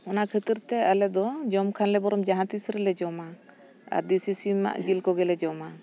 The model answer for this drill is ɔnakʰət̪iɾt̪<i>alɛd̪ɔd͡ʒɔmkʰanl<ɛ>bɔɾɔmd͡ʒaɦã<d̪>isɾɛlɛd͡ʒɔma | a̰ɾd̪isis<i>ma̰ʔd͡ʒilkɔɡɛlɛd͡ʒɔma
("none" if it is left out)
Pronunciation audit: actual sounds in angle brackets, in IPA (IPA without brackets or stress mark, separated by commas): ɛ, ɛ, t̪, i